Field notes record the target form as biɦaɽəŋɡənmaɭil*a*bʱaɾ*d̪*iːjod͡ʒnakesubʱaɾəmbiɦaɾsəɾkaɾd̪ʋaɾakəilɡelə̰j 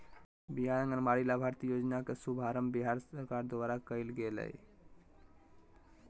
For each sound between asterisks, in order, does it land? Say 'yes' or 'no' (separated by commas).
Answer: yes, no